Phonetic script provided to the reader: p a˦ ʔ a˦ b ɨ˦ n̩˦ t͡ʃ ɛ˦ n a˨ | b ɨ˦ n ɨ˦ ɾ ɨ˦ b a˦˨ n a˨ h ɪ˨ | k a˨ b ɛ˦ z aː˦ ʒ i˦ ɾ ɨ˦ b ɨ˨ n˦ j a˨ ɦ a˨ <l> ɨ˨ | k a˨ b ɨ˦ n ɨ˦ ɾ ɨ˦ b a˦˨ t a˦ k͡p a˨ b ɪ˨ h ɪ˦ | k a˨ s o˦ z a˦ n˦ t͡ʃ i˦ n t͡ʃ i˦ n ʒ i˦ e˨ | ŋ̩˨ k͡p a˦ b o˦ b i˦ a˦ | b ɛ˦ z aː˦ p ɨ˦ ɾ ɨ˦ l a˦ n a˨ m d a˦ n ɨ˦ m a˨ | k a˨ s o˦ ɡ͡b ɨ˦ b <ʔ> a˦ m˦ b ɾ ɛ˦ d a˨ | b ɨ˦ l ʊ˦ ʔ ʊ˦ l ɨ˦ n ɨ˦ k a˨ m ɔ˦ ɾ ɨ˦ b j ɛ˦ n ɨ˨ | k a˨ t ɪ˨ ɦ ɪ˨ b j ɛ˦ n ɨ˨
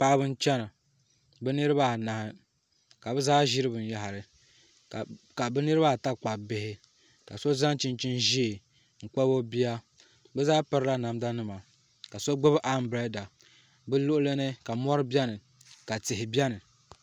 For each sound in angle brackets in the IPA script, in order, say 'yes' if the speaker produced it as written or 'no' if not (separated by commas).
no, yes